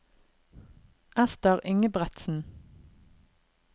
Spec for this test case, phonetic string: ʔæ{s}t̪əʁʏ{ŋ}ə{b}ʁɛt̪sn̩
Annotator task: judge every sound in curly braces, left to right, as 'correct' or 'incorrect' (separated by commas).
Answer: correct, correct, correct